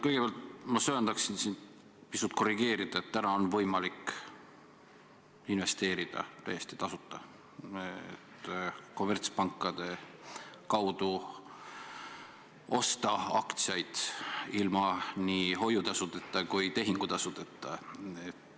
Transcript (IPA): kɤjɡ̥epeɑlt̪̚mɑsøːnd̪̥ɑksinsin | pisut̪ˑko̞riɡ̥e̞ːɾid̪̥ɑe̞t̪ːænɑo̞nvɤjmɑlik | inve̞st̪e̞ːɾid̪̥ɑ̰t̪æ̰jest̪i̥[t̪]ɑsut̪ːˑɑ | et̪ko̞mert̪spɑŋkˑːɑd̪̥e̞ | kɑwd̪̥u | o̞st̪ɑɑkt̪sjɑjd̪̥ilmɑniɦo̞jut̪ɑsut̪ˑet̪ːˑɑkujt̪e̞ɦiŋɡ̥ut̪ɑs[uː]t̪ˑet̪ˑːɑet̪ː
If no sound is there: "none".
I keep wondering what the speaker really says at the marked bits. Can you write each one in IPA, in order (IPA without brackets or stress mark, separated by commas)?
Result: t̪, u